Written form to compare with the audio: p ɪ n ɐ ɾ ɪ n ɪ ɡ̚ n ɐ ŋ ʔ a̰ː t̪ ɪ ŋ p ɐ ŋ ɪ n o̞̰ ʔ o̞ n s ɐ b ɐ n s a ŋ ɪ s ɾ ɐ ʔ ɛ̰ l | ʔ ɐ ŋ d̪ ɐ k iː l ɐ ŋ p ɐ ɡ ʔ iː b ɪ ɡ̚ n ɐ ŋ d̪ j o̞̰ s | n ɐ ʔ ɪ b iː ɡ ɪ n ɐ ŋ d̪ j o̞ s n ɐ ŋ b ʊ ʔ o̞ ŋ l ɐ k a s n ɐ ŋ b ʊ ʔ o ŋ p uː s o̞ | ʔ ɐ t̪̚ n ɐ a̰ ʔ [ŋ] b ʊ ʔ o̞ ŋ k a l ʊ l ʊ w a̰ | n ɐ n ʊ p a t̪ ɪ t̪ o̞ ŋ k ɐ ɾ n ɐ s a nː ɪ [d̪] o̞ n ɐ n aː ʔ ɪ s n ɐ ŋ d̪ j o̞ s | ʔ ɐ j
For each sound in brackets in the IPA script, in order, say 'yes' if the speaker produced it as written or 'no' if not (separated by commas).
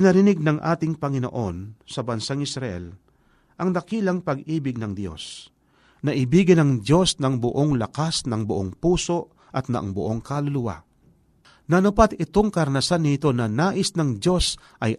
yes, no